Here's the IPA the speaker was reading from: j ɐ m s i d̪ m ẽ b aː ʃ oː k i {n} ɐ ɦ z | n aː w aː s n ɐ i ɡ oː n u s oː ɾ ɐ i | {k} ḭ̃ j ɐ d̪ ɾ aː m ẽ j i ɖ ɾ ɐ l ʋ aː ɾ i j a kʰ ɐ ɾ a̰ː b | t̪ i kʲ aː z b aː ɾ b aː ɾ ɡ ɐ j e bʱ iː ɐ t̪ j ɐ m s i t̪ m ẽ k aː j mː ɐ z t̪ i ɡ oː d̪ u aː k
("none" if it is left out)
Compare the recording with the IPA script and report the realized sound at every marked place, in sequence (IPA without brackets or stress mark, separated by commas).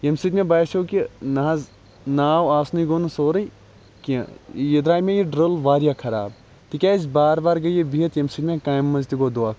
n, k